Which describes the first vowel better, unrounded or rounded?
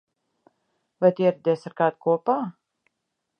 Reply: unrounded